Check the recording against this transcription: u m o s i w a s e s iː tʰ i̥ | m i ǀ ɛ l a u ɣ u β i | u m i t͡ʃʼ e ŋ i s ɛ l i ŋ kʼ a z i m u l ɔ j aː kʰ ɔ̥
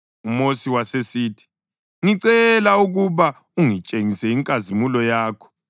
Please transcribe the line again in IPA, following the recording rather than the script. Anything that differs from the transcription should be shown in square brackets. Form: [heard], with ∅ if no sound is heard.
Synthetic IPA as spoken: u m o s i w a s e s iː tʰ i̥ | [ŋ] i ǀ ɛ l a u ɣ u β [a] | u [ŋ] i t͡ʃʼ e ŋ i s ɛ [∅] i ŋ kʼ a z i m u l ɔ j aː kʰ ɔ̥